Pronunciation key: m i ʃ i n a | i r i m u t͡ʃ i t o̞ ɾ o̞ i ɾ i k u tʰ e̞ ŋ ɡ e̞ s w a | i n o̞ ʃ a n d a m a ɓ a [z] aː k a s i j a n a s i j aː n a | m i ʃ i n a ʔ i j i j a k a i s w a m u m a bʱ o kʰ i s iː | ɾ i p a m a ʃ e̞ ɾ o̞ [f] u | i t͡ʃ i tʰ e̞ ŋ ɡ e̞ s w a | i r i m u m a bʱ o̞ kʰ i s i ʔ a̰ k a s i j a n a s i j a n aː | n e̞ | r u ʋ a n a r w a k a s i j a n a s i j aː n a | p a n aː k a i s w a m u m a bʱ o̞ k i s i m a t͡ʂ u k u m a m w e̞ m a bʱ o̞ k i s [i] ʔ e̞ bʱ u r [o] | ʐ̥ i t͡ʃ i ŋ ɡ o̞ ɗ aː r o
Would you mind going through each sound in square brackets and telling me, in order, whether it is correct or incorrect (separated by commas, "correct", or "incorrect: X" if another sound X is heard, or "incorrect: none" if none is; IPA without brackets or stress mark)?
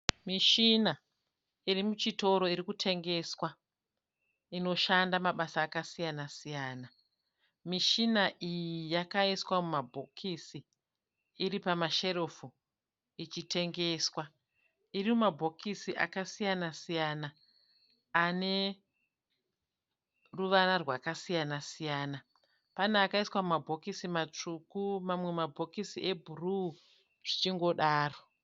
incorrect: s, correct, correct, incorrect: u